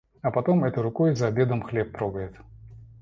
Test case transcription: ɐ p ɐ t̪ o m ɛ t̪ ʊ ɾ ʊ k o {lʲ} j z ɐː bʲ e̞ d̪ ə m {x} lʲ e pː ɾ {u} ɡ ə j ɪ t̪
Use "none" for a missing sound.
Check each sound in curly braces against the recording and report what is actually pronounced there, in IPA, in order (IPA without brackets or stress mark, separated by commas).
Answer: none, x, o